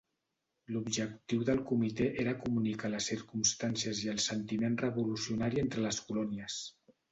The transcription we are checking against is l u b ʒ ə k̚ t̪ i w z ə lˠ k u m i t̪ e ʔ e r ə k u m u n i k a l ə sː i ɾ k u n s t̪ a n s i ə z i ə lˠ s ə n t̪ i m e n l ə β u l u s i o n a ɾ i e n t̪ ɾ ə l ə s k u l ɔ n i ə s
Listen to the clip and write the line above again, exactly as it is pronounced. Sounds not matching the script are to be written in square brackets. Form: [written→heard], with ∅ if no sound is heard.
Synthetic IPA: l u b ʒ ə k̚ t̪ i w [z→ð] ə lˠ k u m i t̪ e ʔ e [r→ɾ] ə k u m u n i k a l ə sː i ɾ k u [n→m] s t̪ a n s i ə z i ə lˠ s ə n t̪ i m e n [l→r] ə β u l u s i [o→u] n a ɾ i e n t̪ ɾ ə l ə s k u l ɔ n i ə s